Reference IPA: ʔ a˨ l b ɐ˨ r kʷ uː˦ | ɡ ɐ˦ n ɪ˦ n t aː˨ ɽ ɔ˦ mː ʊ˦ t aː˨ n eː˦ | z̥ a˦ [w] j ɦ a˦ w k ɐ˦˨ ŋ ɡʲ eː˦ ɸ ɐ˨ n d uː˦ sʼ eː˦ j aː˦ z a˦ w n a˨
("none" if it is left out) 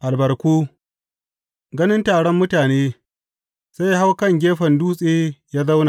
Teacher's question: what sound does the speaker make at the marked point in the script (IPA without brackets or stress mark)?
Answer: none